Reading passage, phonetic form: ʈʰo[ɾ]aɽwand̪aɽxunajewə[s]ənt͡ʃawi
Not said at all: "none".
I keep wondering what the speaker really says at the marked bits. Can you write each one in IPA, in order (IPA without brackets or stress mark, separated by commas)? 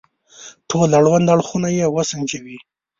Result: l, s